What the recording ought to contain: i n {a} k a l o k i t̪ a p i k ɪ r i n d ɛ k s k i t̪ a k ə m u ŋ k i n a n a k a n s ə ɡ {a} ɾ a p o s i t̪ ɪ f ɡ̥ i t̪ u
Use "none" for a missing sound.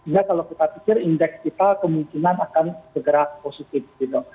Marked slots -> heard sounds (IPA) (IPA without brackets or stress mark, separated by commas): a, ə